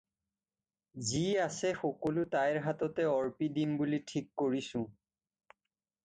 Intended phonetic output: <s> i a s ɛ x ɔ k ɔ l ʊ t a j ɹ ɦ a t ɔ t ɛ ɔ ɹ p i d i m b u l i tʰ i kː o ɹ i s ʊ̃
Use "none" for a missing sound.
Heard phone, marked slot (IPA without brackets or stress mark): z